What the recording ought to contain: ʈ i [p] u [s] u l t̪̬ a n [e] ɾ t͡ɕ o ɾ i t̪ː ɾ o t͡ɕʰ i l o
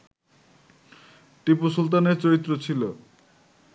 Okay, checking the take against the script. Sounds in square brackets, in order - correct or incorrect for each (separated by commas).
correct, correct, correct